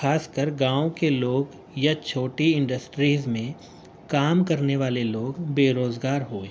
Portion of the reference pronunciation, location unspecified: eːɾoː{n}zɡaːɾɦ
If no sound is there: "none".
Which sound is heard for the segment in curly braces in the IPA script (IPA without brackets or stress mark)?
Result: none